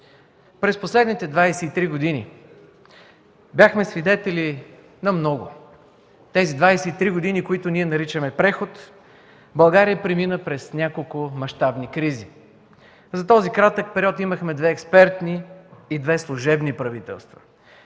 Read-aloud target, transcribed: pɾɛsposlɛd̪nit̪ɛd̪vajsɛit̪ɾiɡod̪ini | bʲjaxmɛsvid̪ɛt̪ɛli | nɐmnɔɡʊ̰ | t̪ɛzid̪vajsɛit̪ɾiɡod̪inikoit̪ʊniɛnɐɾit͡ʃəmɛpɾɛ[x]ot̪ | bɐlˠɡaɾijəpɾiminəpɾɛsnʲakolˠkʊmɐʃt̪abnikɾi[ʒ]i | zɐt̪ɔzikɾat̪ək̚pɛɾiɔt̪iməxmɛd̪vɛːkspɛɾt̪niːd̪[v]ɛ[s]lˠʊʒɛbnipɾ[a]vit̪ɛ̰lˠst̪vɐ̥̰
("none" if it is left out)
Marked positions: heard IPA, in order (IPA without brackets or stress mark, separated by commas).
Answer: x, z, v, s, ɐ